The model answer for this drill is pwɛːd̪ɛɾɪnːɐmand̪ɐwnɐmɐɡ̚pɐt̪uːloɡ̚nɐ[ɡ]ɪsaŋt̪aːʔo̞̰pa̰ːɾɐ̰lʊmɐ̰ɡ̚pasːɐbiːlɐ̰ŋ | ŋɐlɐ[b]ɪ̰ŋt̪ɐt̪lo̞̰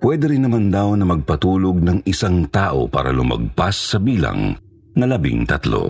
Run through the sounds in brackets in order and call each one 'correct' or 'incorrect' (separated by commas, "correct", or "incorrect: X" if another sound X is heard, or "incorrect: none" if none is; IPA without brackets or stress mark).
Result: incorrect: ŋ, correct